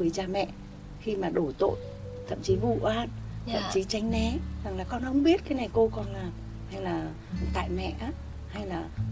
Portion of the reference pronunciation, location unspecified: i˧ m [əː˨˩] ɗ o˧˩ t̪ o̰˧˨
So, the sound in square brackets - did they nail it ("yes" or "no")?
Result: no